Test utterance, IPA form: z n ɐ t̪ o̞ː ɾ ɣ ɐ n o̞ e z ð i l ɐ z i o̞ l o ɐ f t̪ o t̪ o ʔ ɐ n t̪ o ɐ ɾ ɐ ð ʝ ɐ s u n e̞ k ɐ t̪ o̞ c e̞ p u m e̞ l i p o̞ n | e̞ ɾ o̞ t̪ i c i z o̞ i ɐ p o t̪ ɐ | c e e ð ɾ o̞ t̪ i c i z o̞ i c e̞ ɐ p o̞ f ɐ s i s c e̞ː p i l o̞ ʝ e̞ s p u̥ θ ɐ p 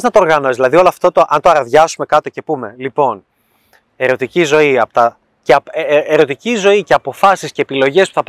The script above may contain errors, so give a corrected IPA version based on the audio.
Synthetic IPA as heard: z n ɐ t̪ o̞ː ɾ ɣ ɐ n o̞ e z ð i l ɐ ð i o̞ l o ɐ f t̪ o t̪ o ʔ ɐ n t̪ o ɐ ɾ ɐ ð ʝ ɐ s u m e̞ k ɐ t̪ o̞ c e̞ p u m e̞ l i p o̞ n | e̞ ɾ o̞ t̪ i c i z o̞ i ɐ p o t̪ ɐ | c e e ɾ o̞ t̪ i c i z o̞ i c e̞ ɐ p o̞ f ɐ s i s c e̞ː p i l o̞ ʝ e̞ s p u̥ θ ɐ p